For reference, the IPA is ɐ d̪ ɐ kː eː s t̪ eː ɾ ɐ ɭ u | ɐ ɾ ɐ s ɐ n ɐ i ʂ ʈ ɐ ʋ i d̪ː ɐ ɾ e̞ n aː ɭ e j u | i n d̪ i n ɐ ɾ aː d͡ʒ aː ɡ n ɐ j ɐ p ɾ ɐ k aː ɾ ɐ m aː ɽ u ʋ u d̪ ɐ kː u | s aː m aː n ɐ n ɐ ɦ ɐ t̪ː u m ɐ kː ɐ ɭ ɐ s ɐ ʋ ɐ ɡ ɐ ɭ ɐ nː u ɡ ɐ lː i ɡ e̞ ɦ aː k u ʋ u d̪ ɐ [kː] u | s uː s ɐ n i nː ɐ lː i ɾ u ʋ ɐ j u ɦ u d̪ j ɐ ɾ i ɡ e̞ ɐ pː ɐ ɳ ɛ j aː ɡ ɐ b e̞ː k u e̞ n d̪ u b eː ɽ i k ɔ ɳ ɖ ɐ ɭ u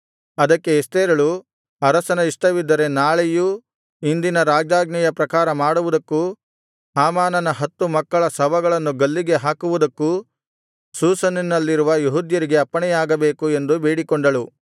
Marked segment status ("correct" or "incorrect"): correct